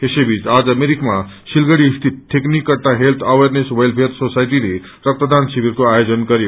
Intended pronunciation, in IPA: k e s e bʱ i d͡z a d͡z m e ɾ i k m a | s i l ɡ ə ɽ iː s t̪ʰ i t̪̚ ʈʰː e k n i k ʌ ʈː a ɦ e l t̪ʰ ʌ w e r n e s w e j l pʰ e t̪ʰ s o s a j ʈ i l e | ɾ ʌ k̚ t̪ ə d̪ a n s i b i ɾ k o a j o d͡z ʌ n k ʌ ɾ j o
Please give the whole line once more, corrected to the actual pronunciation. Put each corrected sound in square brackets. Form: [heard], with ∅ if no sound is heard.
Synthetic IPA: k e s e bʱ i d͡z a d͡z m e ɾ i k m a | s i l ɡ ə ɽ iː s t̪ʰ i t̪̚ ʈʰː e k n i k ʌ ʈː a ɦ e l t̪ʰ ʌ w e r n e s w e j l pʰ e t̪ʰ s o s a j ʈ i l e | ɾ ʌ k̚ t̪ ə d̪ a n s i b i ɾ k o a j o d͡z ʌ n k ʌ ɾ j o